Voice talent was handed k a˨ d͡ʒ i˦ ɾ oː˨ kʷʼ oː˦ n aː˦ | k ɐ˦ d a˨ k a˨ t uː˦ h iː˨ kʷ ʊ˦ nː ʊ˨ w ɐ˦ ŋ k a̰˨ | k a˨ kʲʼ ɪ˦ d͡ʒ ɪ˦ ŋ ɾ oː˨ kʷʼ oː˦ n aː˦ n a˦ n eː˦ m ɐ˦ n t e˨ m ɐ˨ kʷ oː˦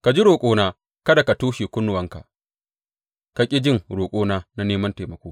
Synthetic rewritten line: k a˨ d͡ʒ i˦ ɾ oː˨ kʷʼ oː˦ n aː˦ | k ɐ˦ d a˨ k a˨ t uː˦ ʃ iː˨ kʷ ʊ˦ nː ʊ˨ w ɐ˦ ŋ k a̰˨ | k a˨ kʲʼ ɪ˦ d͡ʒ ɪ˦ ŋ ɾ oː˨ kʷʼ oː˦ n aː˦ n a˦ n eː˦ m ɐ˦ n t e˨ m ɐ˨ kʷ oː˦